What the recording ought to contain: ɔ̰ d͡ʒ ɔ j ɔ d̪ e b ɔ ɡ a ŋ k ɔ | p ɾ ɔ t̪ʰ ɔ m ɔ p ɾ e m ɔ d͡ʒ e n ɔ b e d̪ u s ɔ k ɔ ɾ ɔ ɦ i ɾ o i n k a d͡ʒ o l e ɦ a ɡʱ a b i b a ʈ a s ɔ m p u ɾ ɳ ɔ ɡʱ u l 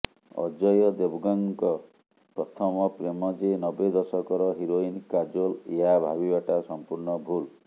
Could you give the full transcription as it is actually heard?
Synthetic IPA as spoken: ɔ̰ d͡ʒ ɔ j ɔ d̪ e b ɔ ɡ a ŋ k ɔ | p ɾ ɔ t̪ʰ ɔ m ɔ p ɾ e m ɔ d͡ʒ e n ɔ b e d̪ ɔ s ɔ k ɔ ɾ ɔ ɦ i ɾ o i n k a d͡ʒ o l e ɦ a bʱ a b i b a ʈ a s ɔ m p u ɾ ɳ ɔ bʱ u l